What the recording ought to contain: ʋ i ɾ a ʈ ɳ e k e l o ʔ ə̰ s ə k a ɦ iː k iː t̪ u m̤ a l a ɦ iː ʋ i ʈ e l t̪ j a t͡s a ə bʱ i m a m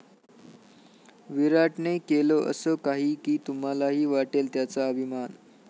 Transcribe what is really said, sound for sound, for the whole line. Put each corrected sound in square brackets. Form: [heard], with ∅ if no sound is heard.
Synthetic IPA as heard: ʋ i ɾ a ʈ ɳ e k e l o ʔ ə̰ s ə k a ɦ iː k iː t̪ u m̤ a l a ɦ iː ʋ [a] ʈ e l t̪ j a t͡s a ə bʱ i m a [n]